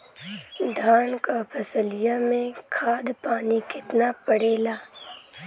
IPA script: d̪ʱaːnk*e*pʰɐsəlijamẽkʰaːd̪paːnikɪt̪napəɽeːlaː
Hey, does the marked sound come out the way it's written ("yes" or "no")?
no